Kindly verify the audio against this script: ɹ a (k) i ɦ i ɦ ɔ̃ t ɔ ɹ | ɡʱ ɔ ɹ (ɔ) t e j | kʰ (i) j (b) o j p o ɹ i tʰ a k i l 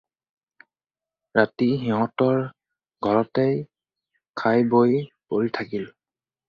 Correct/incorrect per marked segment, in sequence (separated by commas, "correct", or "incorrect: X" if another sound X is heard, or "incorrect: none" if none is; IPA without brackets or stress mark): incorrect: t, correct, incorrect: a, correct